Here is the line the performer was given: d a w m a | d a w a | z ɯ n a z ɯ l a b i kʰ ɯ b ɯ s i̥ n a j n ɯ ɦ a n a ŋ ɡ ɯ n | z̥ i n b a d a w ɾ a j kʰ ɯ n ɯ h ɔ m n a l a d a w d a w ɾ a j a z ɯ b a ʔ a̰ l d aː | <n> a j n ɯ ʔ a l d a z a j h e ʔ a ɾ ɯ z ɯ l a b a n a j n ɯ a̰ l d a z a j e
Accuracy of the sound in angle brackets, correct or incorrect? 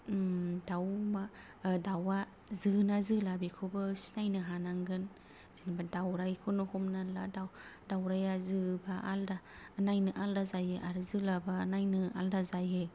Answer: correct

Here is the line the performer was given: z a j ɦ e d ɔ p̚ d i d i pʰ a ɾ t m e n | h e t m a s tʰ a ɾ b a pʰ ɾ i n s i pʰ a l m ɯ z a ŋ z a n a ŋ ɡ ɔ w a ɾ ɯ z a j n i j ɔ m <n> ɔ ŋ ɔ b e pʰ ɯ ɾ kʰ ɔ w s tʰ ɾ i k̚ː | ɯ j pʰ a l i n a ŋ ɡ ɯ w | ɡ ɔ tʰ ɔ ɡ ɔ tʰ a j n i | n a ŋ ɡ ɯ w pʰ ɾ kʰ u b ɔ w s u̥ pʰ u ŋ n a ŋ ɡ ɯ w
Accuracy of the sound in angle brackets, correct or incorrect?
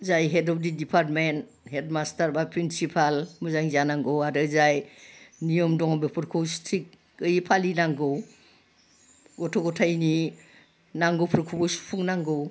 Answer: incorrect: d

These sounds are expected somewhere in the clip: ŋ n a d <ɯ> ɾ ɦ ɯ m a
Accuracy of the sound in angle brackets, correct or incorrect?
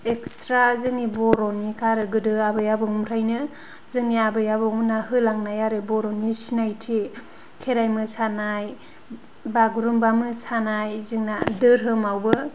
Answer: correct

